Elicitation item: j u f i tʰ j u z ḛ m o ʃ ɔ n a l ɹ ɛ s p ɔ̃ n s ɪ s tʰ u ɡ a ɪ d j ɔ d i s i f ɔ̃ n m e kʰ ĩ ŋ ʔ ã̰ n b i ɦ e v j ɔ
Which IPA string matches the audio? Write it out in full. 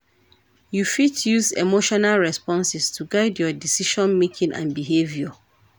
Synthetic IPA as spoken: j u f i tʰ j u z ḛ m o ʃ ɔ n a l ɹ ɛ s p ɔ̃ n s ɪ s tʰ u ɡ a ɪ d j ɔ d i s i ʃ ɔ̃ n m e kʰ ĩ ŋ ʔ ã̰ n b i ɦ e v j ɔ